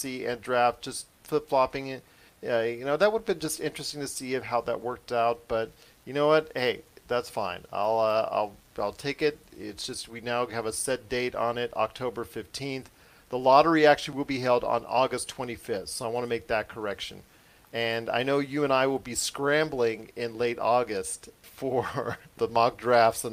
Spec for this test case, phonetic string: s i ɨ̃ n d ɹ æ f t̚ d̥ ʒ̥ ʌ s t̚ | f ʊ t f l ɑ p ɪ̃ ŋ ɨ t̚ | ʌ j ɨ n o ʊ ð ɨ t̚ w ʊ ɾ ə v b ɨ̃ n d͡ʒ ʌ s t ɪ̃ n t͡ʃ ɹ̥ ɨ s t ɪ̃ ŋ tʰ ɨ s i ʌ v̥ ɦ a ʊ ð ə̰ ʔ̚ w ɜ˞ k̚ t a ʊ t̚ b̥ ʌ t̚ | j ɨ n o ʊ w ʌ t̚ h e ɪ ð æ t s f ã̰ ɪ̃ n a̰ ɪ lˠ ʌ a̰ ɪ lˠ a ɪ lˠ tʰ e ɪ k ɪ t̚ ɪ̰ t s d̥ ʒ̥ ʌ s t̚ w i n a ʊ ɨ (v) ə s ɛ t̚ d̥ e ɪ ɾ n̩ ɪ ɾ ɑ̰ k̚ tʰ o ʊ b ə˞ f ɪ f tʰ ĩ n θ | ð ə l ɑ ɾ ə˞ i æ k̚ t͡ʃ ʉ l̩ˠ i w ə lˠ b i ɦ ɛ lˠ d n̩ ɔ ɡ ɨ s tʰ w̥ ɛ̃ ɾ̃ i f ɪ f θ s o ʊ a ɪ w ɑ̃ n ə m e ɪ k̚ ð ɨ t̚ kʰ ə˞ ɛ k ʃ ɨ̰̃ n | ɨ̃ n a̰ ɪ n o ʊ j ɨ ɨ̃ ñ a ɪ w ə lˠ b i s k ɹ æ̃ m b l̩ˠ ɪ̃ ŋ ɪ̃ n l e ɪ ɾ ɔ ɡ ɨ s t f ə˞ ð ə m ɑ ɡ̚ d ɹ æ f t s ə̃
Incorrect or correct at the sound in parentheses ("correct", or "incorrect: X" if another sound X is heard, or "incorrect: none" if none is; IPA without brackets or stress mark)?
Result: correct